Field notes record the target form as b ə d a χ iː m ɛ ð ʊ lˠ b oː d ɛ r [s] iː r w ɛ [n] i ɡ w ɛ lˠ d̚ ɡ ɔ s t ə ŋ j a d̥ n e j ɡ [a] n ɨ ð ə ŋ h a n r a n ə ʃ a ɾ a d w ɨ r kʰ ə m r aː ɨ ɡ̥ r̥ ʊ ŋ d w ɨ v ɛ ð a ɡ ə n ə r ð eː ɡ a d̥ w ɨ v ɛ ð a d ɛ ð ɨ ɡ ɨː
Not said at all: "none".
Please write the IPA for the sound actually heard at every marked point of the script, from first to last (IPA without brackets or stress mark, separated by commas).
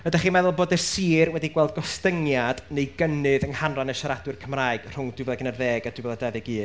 s, d, ə